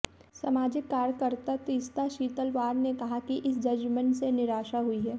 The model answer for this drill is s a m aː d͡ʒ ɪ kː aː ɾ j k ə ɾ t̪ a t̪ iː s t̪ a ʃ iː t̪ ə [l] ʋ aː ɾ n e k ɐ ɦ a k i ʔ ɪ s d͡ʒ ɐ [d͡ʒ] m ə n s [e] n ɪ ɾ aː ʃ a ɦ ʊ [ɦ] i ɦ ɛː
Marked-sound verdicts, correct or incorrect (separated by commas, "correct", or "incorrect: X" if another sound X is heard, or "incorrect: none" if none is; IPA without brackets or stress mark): correct, correct, correct, incorrect: none